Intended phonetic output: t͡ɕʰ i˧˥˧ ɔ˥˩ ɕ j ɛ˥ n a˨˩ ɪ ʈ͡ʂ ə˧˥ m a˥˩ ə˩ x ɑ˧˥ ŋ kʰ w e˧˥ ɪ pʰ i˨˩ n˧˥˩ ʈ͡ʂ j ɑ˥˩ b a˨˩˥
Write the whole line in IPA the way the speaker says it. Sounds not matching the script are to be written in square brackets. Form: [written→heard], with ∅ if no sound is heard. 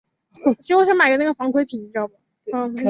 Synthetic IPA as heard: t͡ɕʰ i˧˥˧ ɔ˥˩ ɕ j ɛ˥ [n→m] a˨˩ ɪ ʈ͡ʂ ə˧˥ [m→n] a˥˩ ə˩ [x→f] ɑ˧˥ ŋ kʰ w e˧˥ ɪ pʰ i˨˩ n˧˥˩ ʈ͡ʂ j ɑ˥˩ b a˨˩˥

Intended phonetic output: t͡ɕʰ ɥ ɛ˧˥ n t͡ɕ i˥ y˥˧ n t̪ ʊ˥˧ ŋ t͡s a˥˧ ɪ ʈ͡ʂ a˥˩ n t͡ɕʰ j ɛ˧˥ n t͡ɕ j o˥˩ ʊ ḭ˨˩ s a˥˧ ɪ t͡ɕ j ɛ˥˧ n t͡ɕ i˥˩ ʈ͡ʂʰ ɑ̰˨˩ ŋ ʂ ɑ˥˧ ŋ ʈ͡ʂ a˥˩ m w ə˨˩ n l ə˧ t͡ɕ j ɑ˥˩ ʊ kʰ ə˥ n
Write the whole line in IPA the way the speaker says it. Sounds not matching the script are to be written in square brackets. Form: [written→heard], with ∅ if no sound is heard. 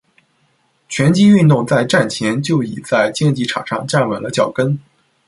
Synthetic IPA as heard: t͡ɕʰ ɥ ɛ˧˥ n t͡ɕ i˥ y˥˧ n t̪ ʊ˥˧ ŋ t͡s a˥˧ ɪ ʈ͡ʂ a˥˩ n t͡ɕʰ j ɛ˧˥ n t͡ɕ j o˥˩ ʊ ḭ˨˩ [s→t͡s] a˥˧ ɪ t͡ɕ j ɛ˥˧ n t͡ɕ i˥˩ ʈ͡ʂʰ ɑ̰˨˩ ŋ ʂ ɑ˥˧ ŋ ʈ͡ʂ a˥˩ [m→n] w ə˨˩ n l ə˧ t͡ɕ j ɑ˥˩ ʊ [kʰ→k] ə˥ n

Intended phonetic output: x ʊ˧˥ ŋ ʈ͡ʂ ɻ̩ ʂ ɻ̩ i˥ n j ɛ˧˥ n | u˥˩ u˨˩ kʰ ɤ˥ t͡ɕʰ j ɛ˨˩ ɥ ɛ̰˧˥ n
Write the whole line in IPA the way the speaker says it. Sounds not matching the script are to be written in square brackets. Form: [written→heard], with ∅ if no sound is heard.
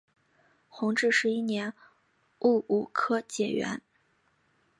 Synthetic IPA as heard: x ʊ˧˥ ŋ ʈ͡ʂ ɻ̩ ʂ ɻ̩ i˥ n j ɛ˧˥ n | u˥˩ u˨˩ kʰ ɤ˥ [t͡ɕʰ→t͡ɕ] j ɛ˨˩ ɥ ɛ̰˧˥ n

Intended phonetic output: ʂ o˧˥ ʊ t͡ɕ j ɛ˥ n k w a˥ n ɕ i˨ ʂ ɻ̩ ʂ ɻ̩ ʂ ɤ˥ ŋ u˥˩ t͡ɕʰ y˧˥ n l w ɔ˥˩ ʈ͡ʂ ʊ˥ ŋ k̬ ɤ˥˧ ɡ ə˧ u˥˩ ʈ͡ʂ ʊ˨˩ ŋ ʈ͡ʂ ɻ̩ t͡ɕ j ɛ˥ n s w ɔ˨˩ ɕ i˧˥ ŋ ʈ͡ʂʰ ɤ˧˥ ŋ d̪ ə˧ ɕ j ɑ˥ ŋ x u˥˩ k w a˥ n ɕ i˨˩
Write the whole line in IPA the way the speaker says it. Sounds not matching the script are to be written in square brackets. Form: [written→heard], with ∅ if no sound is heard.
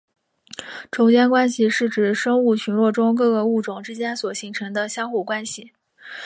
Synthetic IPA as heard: [ʂ→ʈ͡ʂ] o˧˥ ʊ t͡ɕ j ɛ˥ n k w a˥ n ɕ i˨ ʂ ɻ̩ [ʂ→ʈ͡ʂ] ɻ̩ ʂ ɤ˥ ŋ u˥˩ t͡ɕʰ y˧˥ n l w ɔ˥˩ ʈ͡ʂ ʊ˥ ŋ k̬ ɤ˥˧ ɡ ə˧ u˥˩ ʈ͡ʂ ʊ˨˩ ŋ ʈ͡ʂ ɻ̩ t͡ɕ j ɛ˥ n s w ɔ˨˩ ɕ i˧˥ ŋ ʈ͡ʂʰ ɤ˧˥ ŋ d̪ ə˧ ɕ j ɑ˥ ŋ x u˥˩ k w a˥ n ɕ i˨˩

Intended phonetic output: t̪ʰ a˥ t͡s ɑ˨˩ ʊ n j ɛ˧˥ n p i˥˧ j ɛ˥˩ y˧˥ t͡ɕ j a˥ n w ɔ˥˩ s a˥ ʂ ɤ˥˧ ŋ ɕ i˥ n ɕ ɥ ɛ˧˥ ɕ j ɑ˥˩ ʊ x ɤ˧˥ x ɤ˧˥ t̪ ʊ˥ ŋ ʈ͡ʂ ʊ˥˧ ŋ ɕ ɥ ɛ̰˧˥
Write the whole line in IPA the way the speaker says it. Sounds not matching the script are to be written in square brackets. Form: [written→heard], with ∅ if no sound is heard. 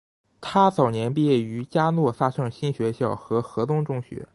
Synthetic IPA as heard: t̪ʰ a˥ t͡s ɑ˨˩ ʊ n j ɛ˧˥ n p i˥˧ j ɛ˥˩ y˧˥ t͡ɕ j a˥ n w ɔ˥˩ [s→f] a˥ ʂ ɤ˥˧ ŋ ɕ i˥ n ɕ ɥ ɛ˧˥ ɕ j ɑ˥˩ ʊ x ɤ˧˥ x ɤ˧˥ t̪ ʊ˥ ŋ ʈ͡ʂ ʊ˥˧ ŋ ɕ ɥ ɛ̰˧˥

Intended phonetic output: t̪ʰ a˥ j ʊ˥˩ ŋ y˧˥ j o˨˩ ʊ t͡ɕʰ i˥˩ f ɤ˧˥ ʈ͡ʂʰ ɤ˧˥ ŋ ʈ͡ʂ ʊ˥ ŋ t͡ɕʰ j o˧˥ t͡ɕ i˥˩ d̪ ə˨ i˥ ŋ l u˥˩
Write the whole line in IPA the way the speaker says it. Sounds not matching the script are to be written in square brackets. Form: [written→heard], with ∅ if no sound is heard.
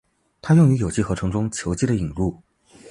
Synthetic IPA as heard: t̪ʰ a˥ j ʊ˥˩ ŋ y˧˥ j o˨˩ ʊ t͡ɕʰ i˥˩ [f→x] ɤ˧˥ ʈ͡ʂʰ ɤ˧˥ ŋ ʈ͡ʂ ʊ˥ ŋ t͡ɕʰ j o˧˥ t͡ɕ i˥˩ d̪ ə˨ [i˥→i˨˩] ŋ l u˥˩

